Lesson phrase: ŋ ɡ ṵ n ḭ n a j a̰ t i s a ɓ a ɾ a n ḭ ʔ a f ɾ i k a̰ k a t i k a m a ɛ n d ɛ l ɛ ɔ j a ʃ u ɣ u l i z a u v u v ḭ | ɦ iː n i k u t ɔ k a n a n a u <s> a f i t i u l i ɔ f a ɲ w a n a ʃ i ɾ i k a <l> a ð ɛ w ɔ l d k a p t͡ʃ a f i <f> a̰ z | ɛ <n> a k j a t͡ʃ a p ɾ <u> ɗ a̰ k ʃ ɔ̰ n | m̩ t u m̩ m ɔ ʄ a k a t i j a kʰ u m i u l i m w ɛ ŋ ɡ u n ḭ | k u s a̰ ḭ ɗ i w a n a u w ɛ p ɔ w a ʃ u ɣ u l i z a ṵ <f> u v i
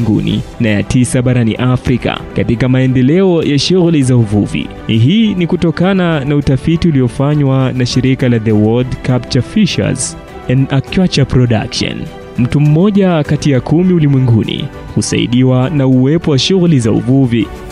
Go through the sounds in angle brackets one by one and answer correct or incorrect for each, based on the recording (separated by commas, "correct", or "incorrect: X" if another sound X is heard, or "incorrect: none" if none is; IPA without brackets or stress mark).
incorrect: t, correct, incorrect: ʃ, correct, incorrect: ɔ, incorrect: v